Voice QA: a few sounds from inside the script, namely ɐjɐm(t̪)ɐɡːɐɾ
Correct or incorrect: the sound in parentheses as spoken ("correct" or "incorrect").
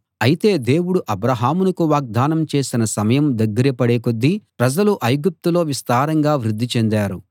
incorrect